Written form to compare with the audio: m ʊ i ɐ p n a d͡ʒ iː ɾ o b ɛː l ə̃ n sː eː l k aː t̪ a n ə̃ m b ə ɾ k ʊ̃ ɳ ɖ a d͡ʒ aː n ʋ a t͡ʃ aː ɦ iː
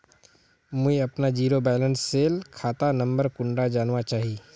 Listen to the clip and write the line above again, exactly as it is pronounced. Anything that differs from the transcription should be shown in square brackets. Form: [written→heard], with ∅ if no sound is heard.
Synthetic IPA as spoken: m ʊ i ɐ p n a d͡ʒ iː ɾ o b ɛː l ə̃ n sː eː l [k→kʰ] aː t̪ a n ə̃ m b ə ɾ k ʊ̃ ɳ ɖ a d͡ʒ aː n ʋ a t͡ʃ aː ɦ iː